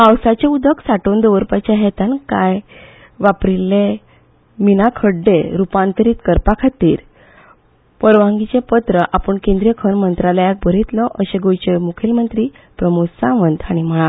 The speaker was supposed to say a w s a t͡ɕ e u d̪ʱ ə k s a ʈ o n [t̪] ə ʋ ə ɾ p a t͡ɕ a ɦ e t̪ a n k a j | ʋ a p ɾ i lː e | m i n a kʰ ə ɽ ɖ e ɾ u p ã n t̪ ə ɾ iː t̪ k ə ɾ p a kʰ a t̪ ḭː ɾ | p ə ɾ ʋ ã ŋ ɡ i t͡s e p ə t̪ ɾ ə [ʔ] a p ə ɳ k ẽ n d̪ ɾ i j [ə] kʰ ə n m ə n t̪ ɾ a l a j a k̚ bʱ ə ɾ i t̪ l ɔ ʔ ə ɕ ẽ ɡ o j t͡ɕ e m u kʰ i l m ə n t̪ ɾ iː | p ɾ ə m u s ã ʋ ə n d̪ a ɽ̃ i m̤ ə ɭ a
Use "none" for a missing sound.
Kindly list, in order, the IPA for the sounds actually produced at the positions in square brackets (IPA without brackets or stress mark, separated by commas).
d̪, ʔ, ə